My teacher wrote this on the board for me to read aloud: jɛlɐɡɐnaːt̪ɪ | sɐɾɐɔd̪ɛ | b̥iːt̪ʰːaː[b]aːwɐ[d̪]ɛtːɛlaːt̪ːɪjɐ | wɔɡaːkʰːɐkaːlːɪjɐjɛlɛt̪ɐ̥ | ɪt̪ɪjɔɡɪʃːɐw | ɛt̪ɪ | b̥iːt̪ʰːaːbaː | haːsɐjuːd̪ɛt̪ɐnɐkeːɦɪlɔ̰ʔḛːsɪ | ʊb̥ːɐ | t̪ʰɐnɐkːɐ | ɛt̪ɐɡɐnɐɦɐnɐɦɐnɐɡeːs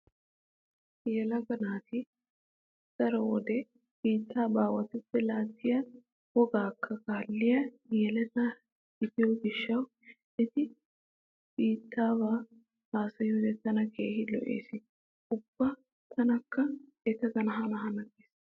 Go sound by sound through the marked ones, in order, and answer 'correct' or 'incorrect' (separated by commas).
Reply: correct, incorrect